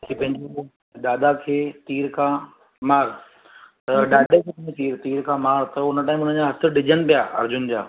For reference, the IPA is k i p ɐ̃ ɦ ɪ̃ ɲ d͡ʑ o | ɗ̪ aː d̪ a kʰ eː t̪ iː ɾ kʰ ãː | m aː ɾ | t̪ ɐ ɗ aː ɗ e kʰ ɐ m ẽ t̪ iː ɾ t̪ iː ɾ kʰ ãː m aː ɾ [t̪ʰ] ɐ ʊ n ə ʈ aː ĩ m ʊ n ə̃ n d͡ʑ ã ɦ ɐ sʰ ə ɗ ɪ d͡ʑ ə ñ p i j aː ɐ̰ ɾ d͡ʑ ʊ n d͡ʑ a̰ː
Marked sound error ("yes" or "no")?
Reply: yes